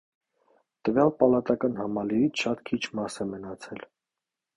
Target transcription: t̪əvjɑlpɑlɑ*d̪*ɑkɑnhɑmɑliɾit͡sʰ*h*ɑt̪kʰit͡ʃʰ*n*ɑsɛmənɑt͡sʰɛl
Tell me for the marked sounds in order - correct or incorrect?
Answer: incorrect: t̪, incorrect: ʃ, incorrect: m

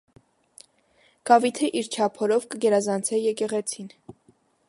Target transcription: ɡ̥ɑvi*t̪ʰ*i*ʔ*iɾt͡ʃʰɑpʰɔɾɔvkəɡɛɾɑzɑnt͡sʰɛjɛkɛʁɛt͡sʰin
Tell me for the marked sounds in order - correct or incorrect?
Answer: correct, correct

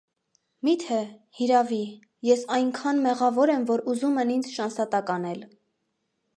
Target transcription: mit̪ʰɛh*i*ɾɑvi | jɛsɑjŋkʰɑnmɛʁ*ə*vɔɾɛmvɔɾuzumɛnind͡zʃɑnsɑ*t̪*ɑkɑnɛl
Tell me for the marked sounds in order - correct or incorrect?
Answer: correct, incorrect: ɑ, correct

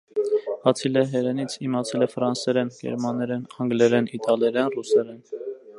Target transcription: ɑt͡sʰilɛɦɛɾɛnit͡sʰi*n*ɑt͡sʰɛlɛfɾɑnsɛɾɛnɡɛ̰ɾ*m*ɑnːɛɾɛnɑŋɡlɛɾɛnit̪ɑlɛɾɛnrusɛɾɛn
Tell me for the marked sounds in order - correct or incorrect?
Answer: incorrect: m, correct

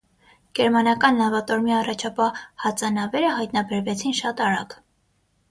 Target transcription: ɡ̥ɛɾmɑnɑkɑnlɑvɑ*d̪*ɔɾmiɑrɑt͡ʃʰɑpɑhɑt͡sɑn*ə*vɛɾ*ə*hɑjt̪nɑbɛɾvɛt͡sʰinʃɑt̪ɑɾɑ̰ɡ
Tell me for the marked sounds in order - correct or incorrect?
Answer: incorrect: t̪, incorrect: ɑ, correct

